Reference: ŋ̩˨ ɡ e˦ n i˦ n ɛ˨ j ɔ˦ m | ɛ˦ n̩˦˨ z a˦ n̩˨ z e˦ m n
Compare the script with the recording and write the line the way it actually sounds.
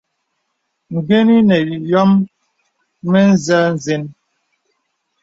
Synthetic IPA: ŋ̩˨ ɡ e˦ n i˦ n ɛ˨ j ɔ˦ m | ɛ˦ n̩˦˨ z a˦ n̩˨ z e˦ n